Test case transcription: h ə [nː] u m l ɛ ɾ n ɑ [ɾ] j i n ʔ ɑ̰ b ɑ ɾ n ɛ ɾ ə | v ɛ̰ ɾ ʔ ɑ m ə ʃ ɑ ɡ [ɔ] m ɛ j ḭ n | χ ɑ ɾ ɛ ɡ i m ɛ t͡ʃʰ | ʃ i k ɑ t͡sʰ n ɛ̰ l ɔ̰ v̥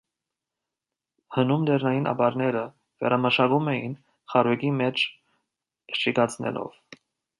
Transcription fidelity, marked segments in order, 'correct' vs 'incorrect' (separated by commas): incorrect, incorrect, incorrect